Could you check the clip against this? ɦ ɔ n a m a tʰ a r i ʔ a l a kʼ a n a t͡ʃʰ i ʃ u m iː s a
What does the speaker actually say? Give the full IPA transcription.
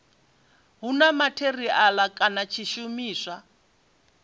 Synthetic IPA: ɦ u n a m a tʰ e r i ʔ a l a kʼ a n a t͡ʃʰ i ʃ u m iː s a